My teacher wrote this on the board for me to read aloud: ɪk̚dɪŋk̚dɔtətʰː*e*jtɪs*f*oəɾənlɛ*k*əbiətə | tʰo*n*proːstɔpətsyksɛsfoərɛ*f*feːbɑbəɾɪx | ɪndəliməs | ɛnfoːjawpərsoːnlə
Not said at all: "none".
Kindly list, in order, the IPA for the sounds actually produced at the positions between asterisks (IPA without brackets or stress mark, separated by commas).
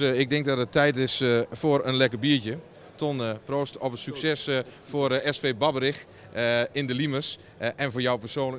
ɛ, f, k, n, s